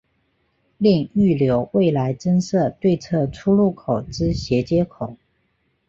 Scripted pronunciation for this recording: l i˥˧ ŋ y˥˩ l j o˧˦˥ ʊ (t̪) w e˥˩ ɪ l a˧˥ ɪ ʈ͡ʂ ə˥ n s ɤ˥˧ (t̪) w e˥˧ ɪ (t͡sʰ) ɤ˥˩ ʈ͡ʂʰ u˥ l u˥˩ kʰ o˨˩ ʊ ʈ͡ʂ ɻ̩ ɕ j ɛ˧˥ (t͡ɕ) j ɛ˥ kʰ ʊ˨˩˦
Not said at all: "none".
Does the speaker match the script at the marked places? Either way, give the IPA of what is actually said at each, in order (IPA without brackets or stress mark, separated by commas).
none, t̪, t͡sʰ, t͡ɕ